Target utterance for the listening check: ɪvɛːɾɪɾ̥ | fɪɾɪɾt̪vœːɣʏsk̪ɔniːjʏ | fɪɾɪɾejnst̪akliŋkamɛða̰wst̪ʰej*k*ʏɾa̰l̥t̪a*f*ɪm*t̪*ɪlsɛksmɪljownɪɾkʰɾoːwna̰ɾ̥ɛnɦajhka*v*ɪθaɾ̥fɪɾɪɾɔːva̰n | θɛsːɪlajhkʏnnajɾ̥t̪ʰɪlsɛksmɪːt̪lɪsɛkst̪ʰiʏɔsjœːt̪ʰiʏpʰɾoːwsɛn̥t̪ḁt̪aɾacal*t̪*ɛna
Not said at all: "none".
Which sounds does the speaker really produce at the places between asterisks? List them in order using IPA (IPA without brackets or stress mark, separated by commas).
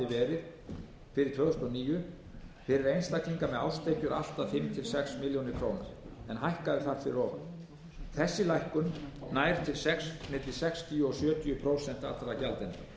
c, f, t̪ʰ, ð, t̪